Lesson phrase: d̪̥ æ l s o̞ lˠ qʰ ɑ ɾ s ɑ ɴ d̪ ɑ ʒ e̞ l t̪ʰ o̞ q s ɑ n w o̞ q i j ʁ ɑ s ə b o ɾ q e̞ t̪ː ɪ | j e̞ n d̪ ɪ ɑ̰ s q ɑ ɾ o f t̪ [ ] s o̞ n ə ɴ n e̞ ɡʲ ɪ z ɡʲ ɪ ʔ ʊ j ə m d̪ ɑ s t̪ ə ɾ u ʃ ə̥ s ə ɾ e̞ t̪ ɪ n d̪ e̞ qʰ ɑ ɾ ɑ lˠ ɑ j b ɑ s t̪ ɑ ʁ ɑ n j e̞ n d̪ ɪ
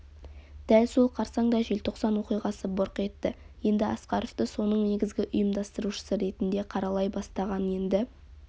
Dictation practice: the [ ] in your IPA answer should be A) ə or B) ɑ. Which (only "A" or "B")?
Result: A